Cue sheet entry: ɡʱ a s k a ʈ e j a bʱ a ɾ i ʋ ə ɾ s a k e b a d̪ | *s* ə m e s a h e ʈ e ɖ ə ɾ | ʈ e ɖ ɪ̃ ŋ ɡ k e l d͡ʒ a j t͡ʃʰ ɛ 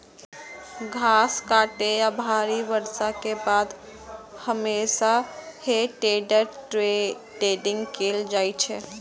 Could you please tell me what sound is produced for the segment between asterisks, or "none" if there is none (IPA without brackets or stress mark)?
h